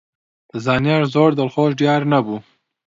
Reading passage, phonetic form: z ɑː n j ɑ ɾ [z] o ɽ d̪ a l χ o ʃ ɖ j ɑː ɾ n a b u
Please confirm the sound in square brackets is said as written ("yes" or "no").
yes